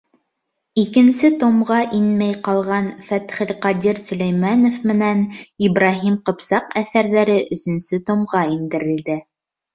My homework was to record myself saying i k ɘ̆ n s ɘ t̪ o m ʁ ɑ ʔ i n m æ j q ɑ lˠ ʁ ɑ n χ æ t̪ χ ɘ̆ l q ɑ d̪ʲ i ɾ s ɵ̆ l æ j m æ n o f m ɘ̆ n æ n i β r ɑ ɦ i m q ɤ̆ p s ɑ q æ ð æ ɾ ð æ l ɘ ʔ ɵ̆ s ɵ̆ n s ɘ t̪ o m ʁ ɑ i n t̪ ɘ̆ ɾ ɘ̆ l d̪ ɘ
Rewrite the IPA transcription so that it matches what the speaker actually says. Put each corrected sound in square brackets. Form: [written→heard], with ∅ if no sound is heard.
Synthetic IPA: i k ɘ̆ n s ɘ t̪ o m ʁ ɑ ʔ i n m æ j q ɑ lˠ ʁ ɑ n [χ→f] æ t̪ χ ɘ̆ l q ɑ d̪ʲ i ɾ s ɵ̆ l æ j m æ n o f m ɘ̆ n æ n i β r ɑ ɦ i m q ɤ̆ p s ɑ q æ [ð→θ] æ ɾ ð æ [l→ɾ] ɘ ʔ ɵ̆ s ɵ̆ n s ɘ t̪ o m ʁ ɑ i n [t̪→d̪] ɘ̆ ɾ ɘ̆ l d̪ ɘ